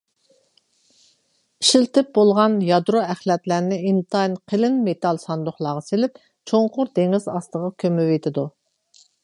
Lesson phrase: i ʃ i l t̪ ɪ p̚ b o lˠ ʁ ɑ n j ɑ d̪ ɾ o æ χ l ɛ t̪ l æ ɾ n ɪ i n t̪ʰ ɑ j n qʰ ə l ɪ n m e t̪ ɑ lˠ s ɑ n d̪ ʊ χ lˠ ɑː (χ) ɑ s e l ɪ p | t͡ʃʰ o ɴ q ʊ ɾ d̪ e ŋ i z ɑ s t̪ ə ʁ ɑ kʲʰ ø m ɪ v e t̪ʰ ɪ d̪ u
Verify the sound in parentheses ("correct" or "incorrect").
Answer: incorrect